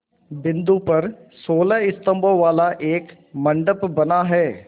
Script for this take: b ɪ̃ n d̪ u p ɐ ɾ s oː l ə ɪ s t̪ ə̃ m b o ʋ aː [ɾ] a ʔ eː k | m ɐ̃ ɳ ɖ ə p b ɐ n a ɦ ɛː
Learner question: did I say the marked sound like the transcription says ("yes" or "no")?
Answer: no